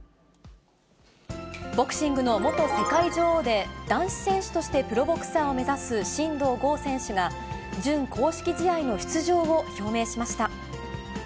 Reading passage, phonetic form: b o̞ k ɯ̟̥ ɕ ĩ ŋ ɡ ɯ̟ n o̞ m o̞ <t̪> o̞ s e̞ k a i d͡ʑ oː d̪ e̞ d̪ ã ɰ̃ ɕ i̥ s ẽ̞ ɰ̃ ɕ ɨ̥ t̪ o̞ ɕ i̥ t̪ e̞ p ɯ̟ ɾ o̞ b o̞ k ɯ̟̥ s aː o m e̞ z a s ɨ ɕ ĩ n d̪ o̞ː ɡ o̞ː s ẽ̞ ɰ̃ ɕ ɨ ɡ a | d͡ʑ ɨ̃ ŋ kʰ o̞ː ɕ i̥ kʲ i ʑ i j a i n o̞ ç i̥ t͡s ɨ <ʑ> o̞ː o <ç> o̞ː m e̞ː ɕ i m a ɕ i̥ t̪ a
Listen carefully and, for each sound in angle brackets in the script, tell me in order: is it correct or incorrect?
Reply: correct, correct, correct

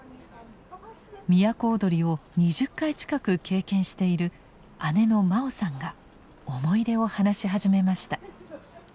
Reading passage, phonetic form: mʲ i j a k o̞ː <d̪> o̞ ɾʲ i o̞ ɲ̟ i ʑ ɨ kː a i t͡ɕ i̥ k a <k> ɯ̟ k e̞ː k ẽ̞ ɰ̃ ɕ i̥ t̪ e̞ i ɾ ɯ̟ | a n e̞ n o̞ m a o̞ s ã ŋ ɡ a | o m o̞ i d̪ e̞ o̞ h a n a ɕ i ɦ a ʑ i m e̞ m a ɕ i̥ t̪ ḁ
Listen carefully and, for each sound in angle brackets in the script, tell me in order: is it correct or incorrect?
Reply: correct, correct

